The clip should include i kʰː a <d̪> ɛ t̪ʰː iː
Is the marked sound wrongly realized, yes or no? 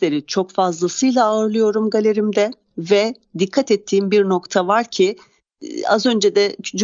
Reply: yes